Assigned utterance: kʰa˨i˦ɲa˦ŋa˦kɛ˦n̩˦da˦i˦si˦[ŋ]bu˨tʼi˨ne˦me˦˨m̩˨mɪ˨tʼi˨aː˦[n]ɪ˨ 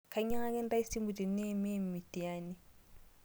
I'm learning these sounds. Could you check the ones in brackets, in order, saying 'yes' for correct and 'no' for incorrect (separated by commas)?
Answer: no, yes